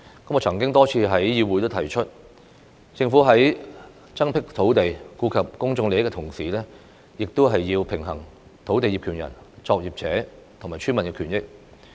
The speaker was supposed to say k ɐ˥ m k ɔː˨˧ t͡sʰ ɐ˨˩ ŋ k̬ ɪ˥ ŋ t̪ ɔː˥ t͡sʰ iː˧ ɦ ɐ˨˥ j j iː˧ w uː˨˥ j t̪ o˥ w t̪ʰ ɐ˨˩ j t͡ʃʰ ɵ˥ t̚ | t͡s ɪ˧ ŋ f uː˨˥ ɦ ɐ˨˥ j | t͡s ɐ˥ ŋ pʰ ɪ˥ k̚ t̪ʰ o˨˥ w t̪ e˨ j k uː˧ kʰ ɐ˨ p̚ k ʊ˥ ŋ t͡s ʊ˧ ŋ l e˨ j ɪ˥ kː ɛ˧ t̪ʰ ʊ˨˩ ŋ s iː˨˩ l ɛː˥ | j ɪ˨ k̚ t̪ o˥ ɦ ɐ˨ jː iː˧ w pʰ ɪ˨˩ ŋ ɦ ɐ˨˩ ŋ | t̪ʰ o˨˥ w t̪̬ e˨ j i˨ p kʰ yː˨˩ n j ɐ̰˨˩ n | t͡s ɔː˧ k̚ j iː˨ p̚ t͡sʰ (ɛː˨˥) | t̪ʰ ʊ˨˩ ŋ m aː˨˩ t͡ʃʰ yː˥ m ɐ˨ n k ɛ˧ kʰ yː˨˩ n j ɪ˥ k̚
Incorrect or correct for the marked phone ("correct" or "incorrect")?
correct